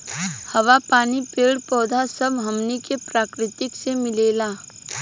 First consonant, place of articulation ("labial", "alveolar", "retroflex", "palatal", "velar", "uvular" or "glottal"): glottal